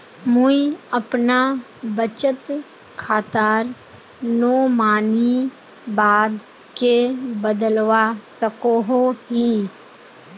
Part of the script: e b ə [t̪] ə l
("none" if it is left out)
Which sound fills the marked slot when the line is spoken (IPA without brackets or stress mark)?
d̪